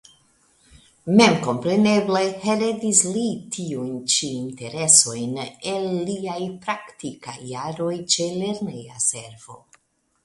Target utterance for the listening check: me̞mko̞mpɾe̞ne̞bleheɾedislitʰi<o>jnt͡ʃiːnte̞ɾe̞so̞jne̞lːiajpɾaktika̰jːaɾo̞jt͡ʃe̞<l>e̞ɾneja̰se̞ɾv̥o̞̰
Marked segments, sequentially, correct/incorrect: incorrect, correct

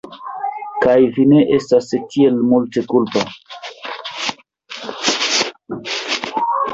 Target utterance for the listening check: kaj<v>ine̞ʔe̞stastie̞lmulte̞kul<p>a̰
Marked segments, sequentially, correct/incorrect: correct, correct

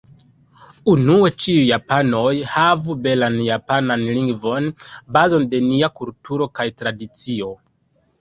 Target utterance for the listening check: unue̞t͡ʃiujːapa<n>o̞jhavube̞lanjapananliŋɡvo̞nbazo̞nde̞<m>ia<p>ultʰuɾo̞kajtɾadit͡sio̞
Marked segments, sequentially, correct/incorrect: correct, incorrect, incorrect

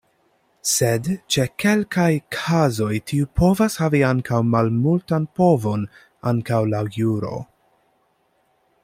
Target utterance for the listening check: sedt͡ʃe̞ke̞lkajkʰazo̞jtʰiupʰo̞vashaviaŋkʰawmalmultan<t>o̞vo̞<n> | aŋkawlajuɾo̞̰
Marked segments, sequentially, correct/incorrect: incorrect, correct

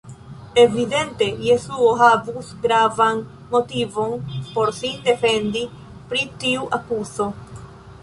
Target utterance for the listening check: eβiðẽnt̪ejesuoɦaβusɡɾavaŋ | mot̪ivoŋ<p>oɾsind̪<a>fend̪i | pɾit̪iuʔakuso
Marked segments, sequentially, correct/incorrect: correct, incorrect

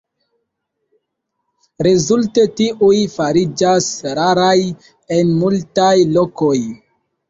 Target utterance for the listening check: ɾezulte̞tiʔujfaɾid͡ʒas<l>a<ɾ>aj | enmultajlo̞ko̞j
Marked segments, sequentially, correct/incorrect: incorrect, correct

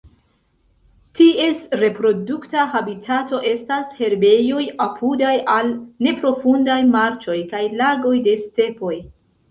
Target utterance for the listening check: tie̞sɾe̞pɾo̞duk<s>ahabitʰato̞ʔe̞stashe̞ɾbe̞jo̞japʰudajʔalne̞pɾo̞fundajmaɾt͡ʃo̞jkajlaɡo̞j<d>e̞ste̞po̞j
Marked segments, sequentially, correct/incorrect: incorrect, correct

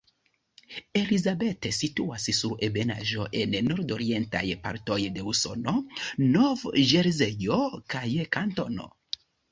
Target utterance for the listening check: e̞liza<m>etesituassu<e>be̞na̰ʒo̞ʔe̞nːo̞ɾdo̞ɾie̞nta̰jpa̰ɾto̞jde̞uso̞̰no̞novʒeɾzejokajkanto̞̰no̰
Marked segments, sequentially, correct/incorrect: incorrect, correct

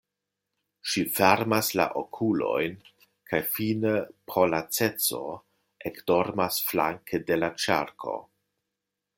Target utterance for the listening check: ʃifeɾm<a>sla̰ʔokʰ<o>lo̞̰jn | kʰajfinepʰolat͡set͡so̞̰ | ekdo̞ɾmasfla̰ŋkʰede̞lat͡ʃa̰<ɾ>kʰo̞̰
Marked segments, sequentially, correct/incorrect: correct, incorrect, correct

